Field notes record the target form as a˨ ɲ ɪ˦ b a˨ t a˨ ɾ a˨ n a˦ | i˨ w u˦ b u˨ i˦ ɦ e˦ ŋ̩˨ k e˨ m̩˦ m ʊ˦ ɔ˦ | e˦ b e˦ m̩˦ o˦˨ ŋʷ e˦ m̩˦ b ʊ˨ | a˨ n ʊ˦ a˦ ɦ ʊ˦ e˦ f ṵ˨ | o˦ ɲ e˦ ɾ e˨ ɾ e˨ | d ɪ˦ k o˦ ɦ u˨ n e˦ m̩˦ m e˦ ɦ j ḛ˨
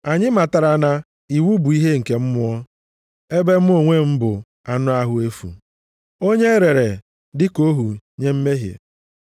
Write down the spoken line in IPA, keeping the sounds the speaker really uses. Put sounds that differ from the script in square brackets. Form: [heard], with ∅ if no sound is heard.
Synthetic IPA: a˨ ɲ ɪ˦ [m] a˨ t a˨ ɾ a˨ n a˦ | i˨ w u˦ b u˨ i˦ ɦ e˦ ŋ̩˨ k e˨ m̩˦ m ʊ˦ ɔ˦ | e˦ b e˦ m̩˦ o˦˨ ŋʷ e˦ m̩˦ b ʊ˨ | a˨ n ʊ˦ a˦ ɦ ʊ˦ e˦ f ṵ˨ | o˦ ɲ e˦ ɾ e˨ ɾ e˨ | d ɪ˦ k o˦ ɦ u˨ [ɲ] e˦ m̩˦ m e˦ ɦ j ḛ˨